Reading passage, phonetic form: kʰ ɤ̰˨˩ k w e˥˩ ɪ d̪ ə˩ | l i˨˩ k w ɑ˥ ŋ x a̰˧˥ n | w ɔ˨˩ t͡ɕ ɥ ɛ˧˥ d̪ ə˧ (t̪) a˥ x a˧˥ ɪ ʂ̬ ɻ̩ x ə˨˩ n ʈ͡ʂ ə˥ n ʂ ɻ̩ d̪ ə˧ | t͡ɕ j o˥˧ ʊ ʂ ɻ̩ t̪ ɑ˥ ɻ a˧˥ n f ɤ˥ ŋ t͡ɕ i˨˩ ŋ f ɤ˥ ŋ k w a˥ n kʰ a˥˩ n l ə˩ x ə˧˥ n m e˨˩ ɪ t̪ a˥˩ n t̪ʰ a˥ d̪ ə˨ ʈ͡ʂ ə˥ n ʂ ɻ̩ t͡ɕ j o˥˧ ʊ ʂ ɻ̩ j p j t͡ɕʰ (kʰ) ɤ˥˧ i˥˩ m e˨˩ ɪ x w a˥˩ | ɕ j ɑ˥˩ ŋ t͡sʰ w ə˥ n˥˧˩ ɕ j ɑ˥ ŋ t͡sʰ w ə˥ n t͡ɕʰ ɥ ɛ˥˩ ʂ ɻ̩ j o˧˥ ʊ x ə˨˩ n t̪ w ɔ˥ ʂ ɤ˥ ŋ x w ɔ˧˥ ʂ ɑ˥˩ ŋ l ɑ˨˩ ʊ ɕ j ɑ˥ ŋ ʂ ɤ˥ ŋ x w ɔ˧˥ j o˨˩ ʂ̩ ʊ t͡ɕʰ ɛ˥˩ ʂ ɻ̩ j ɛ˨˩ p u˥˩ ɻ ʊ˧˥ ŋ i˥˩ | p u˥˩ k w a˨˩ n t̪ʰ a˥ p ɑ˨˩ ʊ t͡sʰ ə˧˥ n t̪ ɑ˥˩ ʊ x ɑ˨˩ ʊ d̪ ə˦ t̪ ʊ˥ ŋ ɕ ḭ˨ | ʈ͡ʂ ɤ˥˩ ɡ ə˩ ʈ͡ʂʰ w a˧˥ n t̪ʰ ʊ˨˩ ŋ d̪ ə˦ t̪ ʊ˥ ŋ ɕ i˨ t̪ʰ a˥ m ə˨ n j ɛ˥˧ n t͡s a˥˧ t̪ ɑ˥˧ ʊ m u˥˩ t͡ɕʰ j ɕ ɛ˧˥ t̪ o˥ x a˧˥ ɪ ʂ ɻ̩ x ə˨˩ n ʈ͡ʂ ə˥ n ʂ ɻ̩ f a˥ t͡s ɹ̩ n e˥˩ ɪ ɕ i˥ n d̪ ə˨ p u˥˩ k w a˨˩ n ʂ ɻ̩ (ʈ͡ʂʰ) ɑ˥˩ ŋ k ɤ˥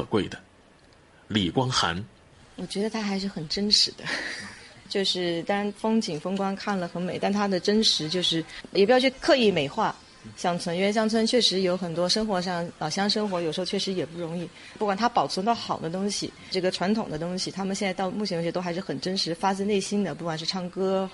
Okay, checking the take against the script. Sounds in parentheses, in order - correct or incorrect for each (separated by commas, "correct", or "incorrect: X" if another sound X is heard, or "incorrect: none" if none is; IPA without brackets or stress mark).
incorrect: t̪ʰ, correct, correct